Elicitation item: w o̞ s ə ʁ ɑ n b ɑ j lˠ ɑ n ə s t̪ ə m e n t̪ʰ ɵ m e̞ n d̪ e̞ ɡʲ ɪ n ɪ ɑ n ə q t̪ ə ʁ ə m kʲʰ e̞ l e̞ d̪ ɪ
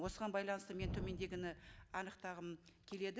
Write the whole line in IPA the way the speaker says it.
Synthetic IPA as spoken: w o̞ s ə ʁ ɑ n b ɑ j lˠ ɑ n ə s t̪ ə m e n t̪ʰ ɵ m e̞ n d̪ e̞ ɡʲ ɪ n ɪ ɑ n ə q t̪ ɑ ʁ ə m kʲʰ e̞ l e̞ d̪ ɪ